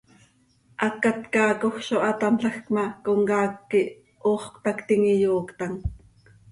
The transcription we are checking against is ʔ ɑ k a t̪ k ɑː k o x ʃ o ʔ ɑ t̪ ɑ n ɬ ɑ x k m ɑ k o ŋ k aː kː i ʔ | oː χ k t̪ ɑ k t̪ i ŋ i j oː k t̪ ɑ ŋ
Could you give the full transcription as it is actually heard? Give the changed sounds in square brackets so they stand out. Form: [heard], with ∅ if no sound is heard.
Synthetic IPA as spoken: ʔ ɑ k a t̪ k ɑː k o x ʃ o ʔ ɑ t̪ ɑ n ɬ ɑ x k m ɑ k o ŋ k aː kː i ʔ | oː χ k t̪ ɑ k t̪ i ŋ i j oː k t̪ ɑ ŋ